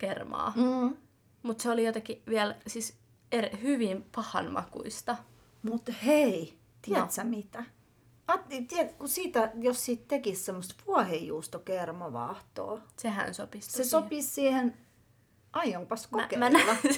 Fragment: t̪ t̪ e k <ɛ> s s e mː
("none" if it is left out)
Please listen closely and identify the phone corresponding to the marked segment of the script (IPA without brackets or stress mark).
i